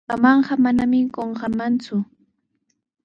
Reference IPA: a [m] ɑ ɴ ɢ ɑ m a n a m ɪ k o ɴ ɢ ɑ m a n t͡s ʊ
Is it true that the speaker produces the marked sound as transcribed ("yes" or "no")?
yes